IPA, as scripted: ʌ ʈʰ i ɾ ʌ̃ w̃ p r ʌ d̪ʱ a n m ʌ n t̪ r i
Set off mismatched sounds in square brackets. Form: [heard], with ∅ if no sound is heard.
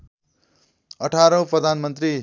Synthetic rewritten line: ʌ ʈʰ [a] ɾ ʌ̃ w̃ p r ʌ d̪ʱ a n m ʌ n t̪ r i